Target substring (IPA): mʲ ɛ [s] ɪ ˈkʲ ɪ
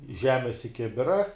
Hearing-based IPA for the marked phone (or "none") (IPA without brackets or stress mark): s